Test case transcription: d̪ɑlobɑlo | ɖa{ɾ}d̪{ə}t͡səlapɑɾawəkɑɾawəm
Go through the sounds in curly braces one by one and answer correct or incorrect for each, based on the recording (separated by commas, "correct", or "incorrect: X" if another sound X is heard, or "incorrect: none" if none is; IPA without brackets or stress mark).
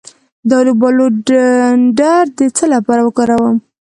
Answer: correct, correct